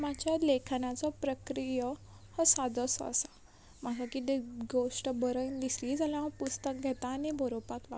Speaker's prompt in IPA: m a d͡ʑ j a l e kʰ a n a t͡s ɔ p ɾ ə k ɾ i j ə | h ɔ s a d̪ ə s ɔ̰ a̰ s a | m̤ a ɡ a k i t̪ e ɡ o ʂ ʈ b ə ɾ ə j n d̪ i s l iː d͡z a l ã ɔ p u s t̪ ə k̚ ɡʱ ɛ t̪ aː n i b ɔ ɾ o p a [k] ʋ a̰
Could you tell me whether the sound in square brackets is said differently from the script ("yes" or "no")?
no